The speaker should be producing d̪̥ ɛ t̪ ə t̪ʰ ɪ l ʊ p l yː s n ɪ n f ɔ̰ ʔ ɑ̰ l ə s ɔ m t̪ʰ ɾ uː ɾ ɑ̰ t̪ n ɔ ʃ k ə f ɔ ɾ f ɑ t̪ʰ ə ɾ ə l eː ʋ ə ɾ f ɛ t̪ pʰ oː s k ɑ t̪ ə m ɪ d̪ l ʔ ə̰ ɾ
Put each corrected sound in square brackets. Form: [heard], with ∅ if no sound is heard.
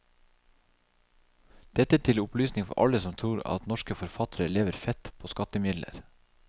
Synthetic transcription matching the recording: d̪̥ ɛ t̪ ə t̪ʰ ɪ l ʊ p l yː s n ɪ [ŋ] f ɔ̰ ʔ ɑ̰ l ə s ɔ m t̪ʰ ɾ uː ɾ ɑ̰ t̪ n ɔ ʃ k ə f ɔ ɾ f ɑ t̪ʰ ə ɾ ə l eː ʋ ə ɾ f ɛ t̪ pʰ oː s k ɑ t̪ ə m ɪ d̪ l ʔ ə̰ ɾ

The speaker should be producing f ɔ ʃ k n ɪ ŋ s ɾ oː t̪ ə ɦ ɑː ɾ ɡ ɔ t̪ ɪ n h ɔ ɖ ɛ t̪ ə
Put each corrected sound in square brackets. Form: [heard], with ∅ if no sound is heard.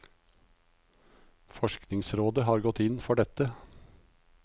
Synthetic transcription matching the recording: f ɔ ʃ k n ɪ ŋ s ɾ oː [d̪] ə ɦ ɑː ɾ ɡ ɔ t̪ ɪ n [f] ɔ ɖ ɛ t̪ ə

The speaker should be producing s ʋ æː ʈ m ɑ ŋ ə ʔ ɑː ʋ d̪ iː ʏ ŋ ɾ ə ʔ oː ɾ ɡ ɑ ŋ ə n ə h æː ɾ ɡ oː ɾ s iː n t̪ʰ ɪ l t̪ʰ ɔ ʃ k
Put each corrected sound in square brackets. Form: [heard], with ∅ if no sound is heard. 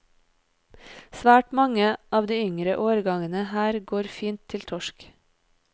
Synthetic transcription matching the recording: s ʋ æː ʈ m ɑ ŋ ə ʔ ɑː ʋ d̪ iː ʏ ŋ ɾ ə ʔ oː ɾ ɡ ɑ ŋ ə n ə h æː ɾ ɡ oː ɾ [f] iː n t̪ʰ ɪ l t̪ʰ ɔ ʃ k

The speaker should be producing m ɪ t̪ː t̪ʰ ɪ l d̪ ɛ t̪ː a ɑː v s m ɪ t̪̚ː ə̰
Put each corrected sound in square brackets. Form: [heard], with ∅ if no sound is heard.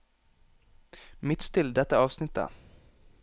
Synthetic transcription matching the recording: m ɪ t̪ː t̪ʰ ɪ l d̪ ɛ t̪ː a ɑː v s [n] ɪ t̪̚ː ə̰

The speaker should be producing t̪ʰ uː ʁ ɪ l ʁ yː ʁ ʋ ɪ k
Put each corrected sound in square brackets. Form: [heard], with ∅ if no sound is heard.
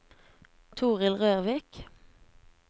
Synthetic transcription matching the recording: t̪ʰ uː ʁ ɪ l ʁ [øː] ʁ ʋ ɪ k

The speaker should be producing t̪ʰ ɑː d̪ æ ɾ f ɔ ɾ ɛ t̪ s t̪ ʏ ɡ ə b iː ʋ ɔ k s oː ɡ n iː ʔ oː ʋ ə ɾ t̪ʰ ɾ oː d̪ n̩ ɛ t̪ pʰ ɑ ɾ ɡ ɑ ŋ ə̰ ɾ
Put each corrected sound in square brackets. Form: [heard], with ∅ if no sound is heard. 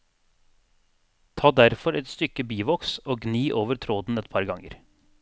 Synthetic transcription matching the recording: t̪ʰ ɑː d̪ æ ɾ f ɔ ɾ ɛ t̪ s t̪ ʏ [k] ə b iː ʋ ɔ k s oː ɡ n iː ʔ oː ʋ ə ɾ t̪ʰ ɾ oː d̪ n̩ ɛ t̪ pʰ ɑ ɾ ɡ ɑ ŋ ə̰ ɾ

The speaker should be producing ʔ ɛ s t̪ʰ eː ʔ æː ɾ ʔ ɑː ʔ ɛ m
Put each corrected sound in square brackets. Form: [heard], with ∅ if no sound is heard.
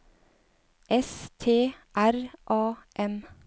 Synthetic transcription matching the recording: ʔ ɛ s t̪ʰ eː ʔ [æ] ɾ ʔ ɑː ʔ ɛ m

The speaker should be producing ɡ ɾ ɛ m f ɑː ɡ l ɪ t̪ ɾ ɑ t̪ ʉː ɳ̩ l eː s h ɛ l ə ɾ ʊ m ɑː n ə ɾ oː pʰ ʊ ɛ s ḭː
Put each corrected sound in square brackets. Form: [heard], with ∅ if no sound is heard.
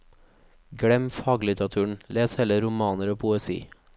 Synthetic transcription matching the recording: ɡ [ɽ] ɛ m f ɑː ɡ l ɪ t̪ ɾ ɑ [t̪ʰ] ʉː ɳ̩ l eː s h ɛ l ə ɾ ʊ m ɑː n ə ɾ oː pʰ ʊ ɛ s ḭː

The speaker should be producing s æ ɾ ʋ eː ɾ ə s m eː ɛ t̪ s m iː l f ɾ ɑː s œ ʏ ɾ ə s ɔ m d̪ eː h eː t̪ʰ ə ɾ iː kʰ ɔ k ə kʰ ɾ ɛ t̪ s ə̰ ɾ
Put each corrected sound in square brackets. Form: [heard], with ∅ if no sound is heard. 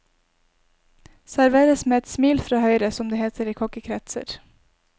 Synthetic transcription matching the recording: s æ ɾ ʋ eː ɾ ə s m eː ɛ t̪ s m iː l f ɾ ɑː [h] œ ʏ ɾ ə s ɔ m d̪ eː h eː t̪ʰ ə ɾ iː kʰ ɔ k ə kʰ ɾ ɛ t̪ s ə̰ ɾ

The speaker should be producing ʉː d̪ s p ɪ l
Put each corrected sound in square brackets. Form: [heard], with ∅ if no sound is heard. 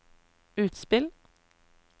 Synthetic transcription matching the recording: ʉː [t̪] s p ɪ l

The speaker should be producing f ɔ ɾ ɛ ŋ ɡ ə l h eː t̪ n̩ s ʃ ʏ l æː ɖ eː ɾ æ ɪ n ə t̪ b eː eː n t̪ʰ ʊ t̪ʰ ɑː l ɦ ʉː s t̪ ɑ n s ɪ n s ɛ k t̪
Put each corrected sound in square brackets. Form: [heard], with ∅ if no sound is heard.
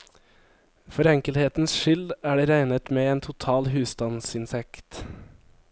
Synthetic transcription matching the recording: f ɔ ɾ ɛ ŋ [k] ə l h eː t̪ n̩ s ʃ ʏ l æː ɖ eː ɾ æ ɪ n ə t̪ [m] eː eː n t̪ʰ ʊ t̪ʰ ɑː l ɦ ʉː s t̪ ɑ n s ɪ n s ɛ k t̪

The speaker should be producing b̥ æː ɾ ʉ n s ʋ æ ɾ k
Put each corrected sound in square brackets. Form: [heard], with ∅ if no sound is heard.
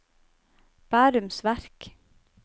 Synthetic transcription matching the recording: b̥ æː ɾ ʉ [m] s ʋ æ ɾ k

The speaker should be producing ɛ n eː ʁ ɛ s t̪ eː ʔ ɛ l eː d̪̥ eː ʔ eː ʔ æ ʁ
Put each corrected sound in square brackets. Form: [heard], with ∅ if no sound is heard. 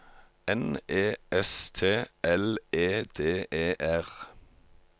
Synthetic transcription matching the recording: ɛ n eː [∅] ɛ s [t̪ʰ] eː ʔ ɛ l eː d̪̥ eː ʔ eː ʔ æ ʁ

